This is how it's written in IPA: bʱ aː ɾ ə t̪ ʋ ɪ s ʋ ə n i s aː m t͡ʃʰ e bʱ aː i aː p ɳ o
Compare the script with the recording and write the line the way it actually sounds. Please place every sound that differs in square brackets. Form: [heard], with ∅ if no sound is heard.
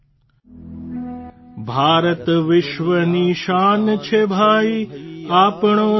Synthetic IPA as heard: bʱ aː ɾ ə t̪ ʋ ɪ [ʃ] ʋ ə n i [ʃ] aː [n] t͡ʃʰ e bʱ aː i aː p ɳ o

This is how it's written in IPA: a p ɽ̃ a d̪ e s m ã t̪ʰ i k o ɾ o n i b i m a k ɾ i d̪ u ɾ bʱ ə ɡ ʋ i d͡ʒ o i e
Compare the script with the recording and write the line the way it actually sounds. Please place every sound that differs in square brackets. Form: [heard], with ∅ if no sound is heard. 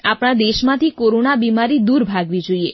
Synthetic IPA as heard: a p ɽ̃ a d̪ e [ʃ] m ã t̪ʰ i k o ɾ o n [a] b i m a [∅] ɾ i d̪ u ɾ bʱ [a] ɡ ʋ i d͡ʒ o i e

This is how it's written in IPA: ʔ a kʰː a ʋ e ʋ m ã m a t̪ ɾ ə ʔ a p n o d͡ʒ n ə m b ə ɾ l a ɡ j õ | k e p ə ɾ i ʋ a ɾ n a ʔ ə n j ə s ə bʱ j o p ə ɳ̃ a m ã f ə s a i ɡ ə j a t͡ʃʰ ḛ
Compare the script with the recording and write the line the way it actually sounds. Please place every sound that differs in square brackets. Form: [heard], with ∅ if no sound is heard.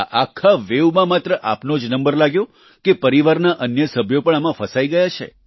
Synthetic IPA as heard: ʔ a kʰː a ʋ e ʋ m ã m a t̪ ɾ ə ʔ a p n o d͡ʒ n ə m b ə ɾ l a ɡ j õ | k e p ə ɾ i ʋ a ɾ n a ʔ ə n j ə s ə bʱ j o p ə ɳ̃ a m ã f ə s a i ɡ ə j a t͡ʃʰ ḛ

